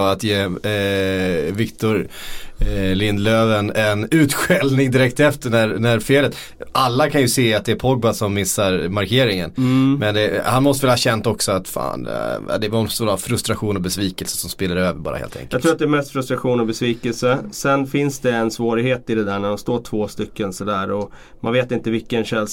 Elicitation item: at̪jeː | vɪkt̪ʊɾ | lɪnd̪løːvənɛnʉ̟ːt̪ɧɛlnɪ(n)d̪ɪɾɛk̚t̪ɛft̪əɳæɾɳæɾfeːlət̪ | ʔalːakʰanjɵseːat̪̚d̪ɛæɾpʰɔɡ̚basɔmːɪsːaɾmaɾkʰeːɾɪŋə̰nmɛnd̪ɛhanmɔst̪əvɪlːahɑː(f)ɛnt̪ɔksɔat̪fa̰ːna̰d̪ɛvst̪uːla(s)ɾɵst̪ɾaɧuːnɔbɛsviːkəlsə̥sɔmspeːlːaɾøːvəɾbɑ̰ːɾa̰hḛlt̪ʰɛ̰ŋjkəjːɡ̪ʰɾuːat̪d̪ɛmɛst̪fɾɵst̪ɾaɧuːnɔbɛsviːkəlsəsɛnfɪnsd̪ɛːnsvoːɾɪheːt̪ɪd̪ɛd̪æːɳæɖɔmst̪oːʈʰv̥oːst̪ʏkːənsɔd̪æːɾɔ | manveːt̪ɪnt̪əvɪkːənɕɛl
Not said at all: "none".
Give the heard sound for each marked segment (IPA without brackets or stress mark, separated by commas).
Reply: ŋ, ɕ, f